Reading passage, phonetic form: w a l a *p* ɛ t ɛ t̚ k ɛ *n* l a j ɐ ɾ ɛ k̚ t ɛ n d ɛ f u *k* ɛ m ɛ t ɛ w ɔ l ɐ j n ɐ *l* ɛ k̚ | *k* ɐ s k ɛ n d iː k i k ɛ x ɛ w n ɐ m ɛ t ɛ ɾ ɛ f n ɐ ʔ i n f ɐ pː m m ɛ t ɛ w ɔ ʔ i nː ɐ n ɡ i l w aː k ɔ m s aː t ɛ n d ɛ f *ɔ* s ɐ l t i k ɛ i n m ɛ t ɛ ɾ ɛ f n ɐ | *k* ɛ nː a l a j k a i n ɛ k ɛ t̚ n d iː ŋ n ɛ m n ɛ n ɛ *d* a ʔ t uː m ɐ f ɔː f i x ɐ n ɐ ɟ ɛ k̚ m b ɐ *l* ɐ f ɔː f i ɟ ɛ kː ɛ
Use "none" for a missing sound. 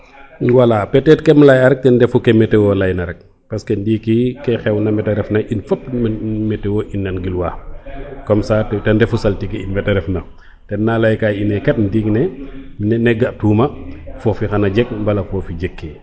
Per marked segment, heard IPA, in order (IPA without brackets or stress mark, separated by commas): p, m, k, ɾ, p, u, t, ɡ, l